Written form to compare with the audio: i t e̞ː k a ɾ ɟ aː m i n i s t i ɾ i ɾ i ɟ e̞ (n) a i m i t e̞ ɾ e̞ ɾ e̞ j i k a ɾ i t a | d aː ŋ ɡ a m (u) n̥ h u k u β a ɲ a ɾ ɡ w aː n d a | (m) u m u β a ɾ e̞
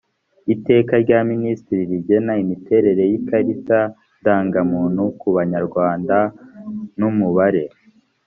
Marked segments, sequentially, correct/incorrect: correct, incorrect, incorrect

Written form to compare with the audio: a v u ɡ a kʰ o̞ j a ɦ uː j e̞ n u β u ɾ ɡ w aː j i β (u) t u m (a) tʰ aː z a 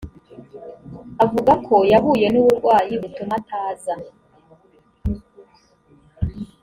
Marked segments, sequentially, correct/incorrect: correct, correct

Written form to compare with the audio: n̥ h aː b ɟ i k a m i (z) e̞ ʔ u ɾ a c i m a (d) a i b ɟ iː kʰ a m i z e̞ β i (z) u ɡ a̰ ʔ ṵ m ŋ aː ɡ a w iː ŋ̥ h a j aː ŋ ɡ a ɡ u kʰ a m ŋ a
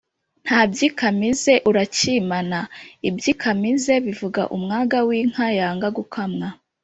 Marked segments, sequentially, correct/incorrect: correct, incorrect, incorrect

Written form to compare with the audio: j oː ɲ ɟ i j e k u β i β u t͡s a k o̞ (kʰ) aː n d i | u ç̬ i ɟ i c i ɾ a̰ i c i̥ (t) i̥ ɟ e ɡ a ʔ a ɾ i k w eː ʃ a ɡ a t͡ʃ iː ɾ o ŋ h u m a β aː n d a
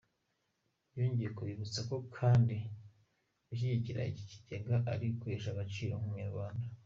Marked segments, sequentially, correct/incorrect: correct, incorrect

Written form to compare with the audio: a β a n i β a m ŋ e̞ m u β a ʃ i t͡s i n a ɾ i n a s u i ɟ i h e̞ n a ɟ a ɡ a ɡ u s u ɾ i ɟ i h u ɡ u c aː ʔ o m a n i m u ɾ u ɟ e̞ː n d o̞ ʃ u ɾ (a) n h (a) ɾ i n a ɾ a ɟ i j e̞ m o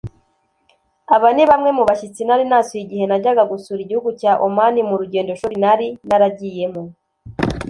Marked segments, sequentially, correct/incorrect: incorrect, correct

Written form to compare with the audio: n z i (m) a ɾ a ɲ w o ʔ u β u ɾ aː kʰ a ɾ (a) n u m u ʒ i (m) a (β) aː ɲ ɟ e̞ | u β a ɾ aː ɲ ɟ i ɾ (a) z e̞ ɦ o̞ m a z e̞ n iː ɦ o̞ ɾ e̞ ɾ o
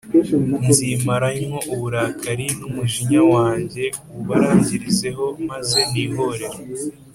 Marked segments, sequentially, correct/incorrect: correct, incorrect, incorrect, incorrect, incorrect

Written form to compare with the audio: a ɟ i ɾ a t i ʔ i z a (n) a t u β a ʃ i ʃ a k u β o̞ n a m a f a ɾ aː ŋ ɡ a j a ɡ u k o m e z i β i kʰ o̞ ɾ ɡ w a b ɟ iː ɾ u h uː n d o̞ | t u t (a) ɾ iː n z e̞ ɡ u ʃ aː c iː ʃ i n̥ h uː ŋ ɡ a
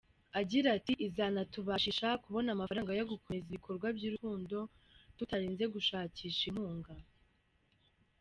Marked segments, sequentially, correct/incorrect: correct, correct

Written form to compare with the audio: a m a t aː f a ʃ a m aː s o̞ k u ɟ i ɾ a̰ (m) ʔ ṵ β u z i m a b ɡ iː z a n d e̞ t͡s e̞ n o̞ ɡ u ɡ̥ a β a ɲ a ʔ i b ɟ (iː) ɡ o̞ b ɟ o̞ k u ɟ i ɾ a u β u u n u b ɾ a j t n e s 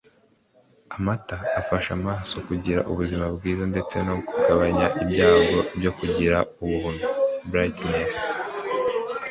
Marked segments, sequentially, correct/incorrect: incorrect, incorrect

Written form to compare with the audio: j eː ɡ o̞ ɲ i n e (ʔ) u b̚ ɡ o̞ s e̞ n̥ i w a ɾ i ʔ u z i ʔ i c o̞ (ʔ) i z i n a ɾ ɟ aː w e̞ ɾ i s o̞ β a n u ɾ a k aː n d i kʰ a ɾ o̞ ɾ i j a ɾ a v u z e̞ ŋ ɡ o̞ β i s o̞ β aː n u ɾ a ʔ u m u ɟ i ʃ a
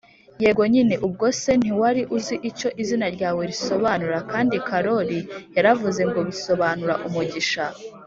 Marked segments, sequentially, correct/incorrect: correct, correct

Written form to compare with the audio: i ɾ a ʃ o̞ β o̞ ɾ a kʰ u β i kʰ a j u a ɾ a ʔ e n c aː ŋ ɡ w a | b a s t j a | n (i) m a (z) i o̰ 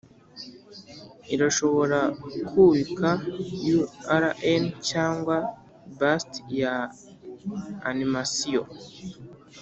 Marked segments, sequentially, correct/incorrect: correct, incorrect

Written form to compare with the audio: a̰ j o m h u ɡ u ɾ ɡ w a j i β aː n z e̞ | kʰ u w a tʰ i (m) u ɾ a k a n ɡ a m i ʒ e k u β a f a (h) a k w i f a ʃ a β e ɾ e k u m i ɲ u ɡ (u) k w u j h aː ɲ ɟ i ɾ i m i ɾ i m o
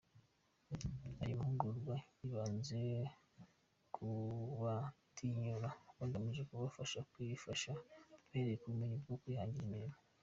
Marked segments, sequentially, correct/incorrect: incorrect, incorrect, incorrect

